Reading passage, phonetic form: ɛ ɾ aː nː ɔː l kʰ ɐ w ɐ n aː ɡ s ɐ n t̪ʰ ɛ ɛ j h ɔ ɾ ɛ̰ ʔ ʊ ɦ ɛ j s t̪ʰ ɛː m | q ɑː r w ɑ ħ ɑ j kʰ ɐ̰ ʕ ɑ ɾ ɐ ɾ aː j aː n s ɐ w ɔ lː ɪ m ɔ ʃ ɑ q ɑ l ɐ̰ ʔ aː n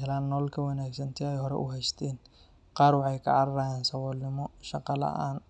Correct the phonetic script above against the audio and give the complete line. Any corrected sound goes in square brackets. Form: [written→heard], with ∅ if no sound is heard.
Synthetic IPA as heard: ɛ [ɾ→l] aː nː ɔː l kʰ ɐ w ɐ n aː ɡ s ɐ n t̪ʰ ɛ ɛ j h ɔ ɾ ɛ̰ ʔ ʊ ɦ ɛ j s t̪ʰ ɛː [m→n] | q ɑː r w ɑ ħ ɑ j kʰ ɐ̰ ʕ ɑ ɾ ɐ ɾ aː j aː n s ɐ w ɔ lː ɪ m ɔ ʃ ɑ q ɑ l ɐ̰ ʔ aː n